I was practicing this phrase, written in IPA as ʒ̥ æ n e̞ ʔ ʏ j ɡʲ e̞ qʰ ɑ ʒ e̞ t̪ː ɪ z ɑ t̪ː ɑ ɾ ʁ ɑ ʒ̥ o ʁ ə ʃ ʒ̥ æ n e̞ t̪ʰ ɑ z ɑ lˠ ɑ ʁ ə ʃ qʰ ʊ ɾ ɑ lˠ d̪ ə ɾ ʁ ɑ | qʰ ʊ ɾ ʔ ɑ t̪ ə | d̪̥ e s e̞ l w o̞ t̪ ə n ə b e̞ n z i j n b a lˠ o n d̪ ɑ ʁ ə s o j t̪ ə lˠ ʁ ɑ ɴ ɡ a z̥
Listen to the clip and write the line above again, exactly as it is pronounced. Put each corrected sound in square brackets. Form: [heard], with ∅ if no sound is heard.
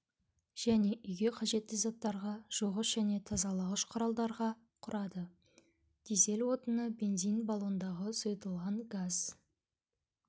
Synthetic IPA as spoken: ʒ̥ æ n e̞ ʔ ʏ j ɡʲ e̞ qʰ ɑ ʒ e̞ t̪ː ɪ z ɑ t̪ː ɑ ɾ ʁ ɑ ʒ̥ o ʁ ə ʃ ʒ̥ æ n e̞ t̪ʰ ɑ z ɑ lˠ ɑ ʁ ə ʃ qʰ ʊ ɾ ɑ lˠ d̪ [ɑ] ɾ ʁ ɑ | qʰ ʊ ɾ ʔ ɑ [d̪] ə | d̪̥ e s e̞ l w o̞ t̪ ə n ə b e̞ n z i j n b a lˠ o n d̪ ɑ ʁ ə s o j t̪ ə lˠ ʁ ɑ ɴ ɡ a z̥